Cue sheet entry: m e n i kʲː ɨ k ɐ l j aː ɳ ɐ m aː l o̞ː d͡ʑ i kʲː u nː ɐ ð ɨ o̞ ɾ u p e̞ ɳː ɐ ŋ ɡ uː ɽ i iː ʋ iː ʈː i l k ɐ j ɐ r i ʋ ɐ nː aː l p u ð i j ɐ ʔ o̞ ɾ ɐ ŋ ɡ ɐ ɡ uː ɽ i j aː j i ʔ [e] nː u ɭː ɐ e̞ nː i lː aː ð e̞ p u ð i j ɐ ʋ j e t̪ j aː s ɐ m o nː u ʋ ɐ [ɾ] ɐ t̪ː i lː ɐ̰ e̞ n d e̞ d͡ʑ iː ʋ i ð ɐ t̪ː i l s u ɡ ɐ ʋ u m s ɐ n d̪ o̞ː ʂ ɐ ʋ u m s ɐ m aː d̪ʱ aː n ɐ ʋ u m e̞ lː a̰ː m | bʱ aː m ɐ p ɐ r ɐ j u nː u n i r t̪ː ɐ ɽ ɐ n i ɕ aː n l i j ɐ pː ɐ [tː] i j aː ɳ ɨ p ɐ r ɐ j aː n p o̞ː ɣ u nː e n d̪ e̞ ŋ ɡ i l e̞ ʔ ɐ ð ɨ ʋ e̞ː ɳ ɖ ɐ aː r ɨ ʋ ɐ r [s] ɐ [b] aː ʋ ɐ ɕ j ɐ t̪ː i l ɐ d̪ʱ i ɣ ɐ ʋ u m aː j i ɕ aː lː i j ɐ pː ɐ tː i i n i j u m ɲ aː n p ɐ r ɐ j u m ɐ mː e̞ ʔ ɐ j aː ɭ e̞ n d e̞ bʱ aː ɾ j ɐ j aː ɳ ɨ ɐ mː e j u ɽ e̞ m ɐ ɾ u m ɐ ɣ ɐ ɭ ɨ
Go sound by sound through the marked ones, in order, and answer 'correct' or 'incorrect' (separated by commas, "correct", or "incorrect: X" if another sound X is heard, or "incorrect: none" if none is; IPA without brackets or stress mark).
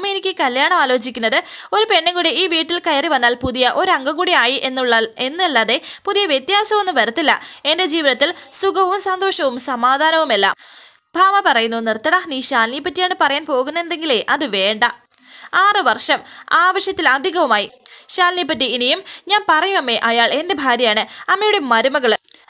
correct, correct, correct, incorrect: ʂ, incorrect: m